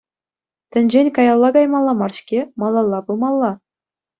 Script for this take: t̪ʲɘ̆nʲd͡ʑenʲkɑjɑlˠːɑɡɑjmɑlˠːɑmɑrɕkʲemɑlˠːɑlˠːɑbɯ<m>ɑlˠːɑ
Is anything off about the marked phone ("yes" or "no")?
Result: no